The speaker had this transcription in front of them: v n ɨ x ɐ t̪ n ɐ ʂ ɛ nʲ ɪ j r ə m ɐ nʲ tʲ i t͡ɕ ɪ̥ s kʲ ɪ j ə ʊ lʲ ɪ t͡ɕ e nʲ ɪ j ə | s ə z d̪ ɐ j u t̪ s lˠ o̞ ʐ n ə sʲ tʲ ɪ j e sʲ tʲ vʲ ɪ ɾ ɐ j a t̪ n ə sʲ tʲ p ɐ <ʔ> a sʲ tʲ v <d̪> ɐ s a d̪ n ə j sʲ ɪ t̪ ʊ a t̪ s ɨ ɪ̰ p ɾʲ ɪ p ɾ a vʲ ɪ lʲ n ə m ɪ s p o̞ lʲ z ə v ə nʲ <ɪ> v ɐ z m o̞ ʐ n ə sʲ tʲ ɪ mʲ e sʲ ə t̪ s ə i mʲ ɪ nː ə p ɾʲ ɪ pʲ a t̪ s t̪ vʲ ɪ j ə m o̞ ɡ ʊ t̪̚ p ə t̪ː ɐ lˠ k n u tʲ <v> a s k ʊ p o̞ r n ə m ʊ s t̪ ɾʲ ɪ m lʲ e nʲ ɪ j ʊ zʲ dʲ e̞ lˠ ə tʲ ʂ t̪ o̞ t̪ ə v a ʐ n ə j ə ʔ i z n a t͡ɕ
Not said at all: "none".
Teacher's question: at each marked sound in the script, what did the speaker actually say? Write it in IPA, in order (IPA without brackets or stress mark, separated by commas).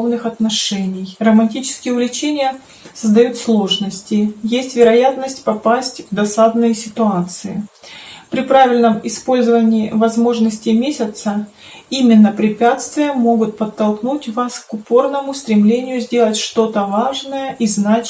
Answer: p, d̪, ɪː, v